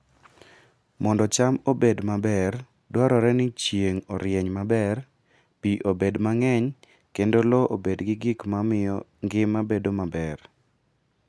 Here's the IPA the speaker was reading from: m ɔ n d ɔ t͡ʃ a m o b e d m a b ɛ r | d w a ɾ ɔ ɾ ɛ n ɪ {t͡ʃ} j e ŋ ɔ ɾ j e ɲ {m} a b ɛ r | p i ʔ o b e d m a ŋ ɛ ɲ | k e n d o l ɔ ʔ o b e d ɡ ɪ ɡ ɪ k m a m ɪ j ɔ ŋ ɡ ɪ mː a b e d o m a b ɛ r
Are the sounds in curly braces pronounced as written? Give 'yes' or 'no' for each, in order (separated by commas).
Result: yes, yes